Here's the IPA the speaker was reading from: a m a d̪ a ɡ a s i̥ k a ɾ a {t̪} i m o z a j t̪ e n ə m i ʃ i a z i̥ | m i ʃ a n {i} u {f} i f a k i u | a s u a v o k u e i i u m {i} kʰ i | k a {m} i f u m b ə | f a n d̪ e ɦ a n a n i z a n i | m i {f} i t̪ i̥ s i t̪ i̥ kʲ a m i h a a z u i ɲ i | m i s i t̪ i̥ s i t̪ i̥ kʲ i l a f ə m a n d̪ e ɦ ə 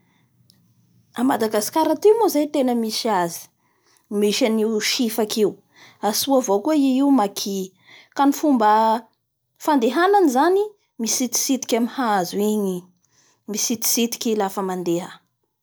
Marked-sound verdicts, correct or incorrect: correct, correct, incorrect: ʃ, incorrect: a, incorrect: n, incorrect: s

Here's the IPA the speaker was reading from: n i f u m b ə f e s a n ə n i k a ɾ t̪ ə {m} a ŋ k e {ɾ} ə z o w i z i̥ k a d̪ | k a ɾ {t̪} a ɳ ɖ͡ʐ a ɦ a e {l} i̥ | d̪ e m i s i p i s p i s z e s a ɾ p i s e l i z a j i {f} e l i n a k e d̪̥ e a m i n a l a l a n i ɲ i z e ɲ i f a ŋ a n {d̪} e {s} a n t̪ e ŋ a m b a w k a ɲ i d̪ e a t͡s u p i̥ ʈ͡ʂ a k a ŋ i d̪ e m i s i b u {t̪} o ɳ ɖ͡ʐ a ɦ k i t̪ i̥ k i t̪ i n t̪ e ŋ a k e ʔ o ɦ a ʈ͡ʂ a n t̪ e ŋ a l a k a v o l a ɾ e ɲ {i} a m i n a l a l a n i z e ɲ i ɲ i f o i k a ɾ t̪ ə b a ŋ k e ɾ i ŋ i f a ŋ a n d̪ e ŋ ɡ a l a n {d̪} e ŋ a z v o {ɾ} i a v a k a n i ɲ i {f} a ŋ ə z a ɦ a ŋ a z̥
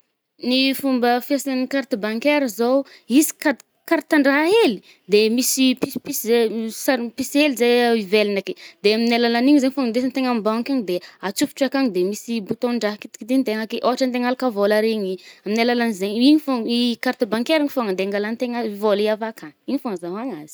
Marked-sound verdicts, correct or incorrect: incorrect: b, correct, correct, correct, incorrect: v, correct, correct, correct, correct, incorrect: t̪, incorrect: l, correct

